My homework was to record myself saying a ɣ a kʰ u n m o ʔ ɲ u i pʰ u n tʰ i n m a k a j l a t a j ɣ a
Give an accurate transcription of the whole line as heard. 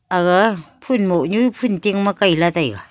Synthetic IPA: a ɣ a pʰ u n m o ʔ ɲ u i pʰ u n t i ŋ m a k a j l a t a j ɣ a